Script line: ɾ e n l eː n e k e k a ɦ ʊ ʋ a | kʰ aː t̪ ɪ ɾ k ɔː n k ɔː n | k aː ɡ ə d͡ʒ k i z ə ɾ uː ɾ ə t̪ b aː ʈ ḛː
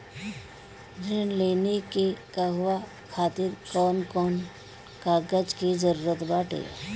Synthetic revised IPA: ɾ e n l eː n e k e k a ɦ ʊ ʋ a | kʰ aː t̪ ɪ ɾ k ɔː n k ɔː n | k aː ɡ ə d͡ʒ k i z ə ɾ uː ɾ ə t̪ b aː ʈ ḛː